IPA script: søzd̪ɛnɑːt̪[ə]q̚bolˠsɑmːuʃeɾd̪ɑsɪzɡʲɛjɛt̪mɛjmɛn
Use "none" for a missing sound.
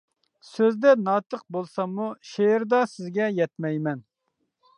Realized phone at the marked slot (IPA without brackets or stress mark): ə